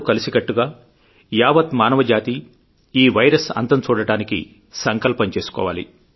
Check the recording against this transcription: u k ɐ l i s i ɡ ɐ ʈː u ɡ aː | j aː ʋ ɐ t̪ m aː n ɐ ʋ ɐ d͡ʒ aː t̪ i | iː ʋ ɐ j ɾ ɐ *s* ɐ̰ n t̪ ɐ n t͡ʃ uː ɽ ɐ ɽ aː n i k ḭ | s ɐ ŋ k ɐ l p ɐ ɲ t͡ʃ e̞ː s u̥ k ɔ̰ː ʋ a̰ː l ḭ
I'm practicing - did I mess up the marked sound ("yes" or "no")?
no